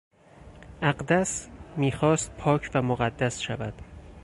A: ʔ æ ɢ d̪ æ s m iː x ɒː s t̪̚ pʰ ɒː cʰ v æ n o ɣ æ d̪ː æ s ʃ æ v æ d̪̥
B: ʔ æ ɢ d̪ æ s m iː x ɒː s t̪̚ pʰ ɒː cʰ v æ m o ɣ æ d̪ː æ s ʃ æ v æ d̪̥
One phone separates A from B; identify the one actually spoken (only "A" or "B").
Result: B